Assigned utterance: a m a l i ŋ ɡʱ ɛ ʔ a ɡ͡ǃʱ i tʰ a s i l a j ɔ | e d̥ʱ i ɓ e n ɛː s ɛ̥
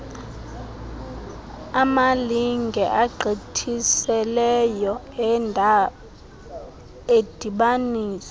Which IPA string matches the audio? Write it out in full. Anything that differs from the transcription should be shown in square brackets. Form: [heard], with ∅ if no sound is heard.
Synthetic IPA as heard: a m a l i ŋ ɡʱ ɛ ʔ a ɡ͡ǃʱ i tʰ [i] s [ɛ] l [ɛ] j ɔ | e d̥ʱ i ɓ [a] n [iː] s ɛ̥